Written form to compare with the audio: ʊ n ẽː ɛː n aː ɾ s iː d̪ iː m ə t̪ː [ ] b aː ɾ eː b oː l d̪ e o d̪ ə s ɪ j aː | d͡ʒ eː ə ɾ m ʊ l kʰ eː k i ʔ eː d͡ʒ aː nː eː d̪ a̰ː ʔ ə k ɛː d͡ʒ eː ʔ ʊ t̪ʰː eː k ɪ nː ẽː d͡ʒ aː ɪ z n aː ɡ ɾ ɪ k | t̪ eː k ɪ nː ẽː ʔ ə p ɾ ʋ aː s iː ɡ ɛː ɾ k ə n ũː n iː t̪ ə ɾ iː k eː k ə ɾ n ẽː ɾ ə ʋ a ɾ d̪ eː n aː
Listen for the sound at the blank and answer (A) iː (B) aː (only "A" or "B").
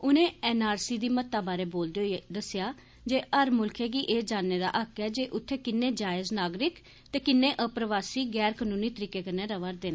B